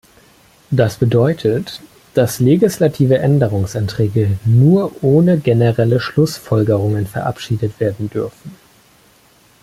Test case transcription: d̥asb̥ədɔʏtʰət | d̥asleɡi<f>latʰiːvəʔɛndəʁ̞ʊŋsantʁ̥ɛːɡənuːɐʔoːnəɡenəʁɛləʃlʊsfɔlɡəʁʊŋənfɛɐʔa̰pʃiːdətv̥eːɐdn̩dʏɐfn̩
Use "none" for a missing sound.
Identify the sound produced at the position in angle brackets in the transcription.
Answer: s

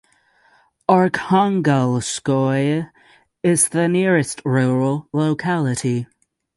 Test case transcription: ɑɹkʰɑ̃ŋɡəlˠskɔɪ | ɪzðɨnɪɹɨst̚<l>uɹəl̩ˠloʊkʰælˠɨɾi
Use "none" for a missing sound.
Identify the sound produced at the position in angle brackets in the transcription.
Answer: ɹ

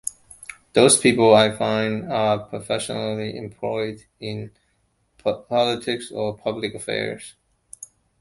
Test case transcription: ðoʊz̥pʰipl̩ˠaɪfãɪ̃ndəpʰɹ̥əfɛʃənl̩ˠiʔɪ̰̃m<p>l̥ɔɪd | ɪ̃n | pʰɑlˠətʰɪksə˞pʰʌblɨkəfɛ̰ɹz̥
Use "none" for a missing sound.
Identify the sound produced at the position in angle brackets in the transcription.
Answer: pʰ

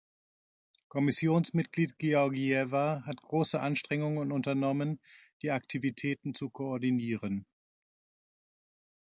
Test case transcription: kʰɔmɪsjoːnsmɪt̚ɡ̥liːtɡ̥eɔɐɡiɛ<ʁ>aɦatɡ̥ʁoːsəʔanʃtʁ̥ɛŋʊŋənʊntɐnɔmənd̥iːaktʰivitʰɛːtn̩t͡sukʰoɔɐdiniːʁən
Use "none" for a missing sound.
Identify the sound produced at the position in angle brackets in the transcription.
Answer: v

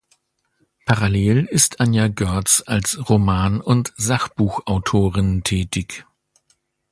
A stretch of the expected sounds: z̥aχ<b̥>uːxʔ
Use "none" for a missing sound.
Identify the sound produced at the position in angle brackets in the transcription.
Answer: b̥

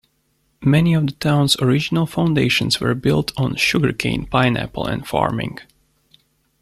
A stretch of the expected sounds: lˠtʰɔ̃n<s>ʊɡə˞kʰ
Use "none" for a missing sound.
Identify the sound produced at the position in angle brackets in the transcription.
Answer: ʃ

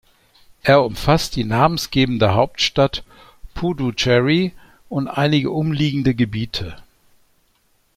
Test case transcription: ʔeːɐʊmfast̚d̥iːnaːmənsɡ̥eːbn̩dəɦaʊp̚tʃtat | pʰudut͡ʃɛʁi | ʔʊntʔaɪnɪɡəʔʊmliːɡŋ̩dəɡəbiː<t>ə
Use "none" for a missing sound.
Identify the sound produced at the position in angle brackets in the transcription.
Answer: tʰ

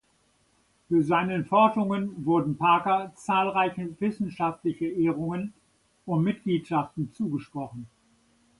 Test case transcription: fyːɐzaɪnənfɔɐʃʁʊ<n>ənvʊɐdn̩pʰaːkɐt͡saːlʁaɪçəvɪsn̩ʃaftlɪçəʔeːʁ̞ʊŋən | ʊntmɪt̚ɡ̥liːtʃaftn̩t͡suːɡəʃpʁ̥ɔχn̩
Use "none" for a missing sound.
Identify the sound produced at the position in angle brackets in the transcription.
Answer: ŋ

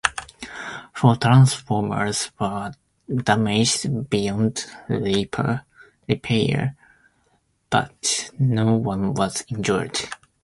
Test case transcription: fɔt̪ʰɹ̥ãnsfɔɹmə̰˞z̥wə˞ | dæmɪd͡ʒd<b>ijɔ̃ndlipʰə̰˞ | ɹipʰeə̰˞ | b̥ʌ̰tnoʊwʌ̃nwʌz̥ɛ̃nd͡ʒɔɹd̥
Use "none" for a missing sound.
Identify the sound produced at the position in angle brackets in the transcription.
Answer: b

